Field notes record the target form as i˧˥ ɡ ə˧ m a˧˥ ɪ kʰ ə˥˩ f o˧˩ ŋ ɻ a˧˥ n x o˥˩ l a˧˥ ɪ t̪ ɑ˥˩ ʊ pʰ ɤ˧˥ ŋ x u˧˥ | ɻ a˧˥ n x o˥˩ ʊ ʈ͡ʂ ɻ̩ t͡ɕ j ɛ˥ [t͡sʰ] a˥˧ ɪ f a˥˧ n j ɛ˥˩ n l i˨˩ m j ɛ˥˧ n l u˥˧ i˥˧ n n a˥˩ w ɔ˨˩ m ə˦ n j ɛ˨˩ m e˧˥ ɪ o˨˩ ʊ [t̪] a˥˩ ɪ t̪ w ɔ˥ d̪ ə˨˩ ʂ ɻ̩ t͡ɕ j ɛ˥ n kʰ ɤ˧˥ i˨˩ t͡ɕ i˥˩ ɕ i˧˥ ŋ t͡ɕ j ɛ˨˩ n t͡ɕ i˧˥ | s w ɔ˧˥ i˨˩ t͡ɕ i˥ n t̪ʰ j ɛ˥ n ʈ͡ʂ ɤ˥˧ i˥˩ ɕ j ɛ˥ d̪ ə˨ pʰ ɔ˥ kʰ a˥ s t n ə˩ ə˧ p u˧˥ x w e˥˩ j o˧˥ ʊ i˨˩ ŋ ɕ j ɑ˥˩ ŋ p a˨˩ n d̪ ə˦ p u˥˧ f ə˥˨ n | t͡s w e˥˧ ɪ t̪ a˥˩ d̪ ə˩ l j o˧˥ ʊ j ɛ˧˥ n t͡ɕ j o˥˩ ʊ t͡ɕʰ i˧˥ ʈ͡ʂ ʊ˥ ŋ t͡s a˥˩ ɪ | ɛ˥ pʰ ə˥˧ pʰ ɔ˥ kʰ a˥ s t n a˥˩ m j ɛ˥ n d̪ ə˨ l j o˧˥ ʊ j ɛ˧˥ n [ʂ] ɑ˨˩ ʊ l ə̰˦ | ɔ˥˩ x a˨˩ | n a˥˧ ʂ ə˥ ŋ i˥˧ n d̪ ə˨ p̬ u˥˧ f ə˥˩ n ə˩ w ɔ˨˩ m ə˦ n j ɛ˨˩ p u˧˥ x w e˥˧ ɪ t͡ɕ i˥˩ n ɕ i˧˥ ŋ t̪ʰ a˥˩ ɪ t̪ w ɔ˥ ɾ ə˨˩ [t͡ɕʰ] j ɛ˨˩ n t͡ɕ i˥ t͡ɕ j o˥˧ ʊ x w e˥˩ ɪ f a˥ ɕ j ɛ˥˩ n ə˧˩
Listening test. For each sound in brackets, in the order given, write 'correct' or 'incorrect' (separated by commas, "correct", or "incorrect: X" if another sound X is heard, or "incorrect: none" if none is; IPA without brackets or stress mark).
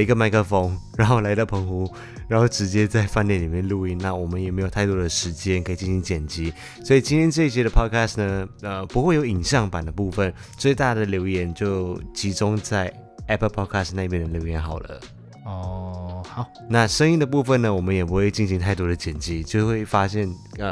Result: incorrect: t͡s, incorrect: t̪ʰ, incorrect: x, incorrect: t͡ɕ